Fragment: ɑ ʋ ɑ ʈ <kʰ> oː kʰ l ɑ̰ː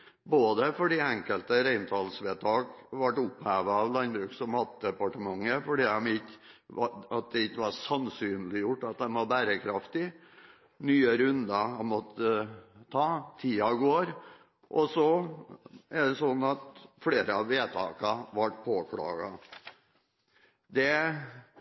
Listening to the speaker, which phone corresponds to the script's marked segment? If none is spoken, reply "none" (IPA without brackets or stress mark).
pʰ